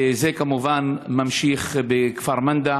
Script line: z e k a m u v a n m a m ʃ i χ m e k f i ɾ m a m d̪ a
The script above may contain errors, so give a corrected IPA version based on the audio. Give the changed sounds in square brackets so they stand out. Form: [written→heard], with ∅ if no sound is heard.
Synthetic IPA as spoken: z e k a m u v a n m a m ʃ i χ [m→b] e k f [i→a] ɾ m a [m→n] d̪ a